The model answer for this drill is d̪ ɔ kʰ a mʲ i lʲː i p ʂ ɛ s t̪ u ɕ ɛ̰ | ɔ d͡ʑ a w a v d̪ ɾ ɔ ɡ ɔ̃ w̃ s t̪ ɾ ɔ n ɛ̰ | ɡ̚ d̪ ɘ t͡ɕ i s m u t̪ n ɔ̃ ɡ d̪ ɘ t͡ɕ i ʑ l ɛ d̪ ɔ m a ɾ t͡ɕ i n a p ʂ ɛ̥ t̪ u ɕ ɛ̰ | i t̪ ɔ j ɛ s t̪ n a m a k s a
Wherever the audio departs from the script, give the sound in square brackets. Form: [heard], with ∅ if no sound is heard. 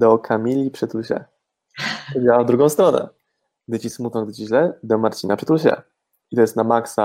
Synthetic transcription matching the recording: d̪ ɔ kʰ a mʲ i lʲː i p ʂ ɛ [∅] t̪ u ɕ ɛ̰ | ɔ d͡ʑ a w a v d̪ ɾ [u] ɡ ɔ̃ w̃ s t̪ ɾ ɔ n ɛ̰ | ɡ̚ d̪ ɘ t͡ɕ i s m u t̪ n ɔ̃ ɡ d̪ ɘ t͡ɕ i ʑ l ɛ d̪ ɔ m a ɾ t͡ɕ i n a p ʂ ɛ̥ t̪ u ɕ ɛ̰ | i t̪ ɔ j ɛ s t̪ n a m a k s a